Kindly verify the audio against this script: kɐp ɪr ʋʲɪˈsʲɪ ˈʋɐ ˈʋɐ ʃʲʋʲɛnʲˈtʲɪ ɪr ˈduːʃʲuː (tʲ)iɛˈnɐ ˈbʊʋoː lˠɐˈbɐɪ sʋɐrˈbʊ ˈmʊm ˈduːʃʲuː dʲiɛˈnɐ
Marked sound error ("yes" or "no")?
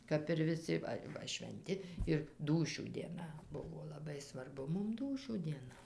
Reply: yes